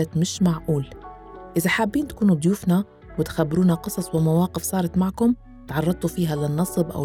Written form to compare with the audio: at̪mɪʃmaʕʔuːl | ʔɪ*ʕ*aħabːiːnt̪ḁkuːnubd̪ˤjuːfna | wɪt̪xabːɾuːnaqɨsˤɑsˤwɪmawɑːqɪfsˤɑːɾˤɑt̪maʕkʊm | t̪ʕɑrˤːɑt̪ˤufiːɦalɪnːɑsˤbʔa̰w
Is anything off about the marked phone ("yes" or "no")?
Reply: yes